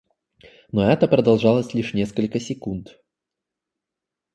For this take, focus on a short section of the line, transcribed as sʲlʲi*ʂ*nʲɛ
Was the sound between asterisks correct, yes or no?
yes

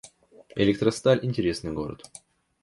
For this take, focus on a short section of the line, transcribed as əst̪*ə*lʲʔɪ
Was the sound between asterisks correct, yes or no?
no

